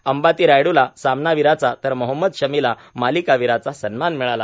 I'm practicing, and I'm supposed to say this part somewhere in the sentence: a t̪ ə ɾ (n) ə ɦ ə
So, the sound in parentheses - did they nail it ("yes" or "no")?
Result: no